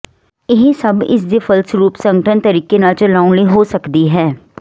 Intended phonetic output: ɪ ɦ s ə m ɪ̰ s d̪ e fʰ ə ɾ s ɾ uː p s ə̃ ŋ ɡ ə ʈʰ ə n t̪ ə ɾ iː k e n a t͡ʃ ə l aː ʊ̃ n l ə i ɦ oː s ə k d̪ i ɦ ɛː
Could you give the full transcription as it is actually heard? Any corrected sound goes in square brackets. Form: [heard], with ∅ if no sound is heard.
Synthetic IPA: ɪ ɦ s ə [b] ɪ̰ s d̪ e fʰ ə [l] s ɾ uː p s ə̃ ŋ ɡ ə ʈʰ ə n t̪ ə ɾ iː k e n a t͡ʃ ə l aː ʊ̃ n l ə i ɦ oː s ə k d̪ i ɦ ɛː